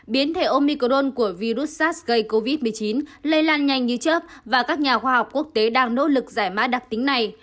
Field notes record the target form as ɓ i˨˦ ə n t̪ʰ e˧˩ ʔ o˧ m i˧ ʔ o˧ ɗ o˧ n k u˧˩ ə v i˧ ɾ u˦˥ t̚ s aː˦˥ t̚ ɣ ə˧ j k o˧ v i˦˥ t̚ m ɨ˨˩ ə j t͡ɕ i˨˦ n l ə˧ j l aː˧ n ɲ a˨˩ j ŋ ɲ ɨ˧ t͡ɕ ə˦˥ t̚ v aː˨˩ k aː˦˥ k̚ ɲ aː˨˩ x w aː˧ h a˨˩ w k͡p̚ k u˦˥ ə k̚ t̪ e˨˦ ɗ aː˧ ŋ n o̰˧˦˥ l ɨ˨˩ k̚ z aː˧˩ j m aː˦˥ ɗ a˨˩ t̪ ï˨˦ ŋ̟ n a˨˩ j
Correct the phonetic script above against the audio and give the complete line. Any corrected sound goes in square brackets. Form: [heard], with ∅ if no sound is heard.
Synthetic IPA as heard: ɓ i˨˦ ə n t̪ʰ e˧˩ ʔ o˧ m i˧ [k] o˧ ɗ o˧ n k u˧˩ ə v i˧ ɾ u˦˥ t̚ s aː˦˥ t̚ ɣ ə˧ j k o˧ v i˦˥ t̚ m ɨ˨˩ ə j t͡ɕ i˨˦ n l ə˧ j l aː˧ n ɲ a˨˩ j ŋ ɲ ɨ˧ t͡ɕ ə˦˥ [p̚] v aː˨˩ k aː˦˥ k̚ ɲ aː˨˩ x w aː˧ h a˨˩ w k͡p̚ k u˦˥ ə k̚ t̪ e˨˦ ɗ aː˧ ŋ n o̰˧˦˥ l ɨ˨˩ k̚ z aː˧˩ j m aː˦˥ ɗ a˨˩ t̪ ï˨˦ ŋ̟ n a˨˩ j